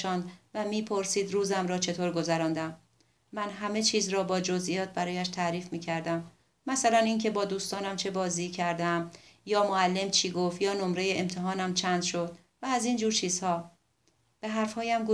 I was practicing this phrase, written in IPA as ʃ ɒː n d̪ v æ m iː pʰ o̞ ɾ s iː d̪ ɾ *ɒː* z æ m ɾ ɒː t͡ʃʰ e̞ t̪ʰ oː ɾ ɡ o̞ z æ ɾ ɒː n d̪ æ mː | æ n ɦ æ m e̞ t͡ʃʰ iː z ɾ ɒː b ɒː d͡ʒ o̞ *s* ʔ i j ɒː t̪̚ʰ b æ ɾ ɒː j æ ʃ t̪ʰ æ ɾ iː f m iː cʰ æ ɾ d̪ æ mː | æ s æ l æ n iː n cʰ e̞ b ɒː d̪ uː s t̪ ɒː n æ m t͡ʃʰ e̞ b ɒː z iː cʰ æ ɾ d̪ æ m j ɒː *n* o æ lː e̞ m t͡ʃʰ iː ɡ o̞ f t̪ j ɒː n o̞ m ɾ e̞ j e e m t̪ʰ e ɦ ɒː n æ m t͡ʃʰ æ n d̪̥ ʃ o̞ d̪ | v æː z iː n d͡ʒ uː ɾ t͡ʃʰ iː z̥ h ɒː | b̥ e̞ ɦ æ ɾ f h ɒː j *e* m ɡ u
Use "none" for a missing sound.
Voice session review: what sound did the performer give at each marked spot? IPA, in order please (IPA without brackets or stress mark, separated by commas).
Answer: uː, z, m, æ